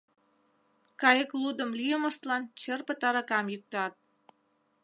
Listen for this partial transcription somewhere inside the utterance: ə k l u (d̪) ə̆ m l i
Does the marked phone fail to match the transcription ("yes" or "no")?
no